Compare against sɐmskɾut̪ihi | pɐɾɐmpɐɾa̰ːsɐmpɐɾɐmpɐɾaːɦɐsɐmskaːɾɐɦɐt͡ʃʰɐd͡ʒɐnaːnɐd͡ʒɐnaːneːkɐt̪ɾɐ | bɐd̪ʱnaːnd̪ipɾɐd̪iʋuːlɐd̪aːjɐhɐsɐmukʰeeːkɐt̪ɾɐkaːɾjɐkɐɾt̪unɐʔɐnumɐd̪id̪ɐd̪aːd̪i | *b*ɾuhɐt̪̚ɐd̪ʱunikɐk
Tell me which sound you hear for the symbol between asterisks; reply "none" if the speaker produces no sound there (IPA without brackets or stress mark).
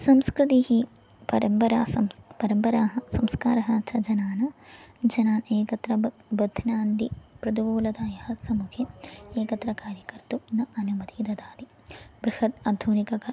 b